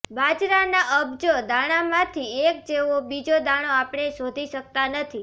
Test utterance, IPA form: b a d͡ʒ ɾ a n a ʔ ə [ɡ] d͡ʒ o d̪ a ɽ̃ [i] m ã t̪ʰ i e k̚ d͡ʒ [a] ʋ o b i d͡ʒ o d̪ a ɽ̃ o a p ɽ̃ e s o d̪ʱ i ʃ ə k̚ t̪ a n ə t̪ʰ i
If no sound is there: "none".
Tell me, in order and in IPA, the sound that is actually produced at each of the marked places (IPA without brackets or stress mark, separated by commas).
b, a, e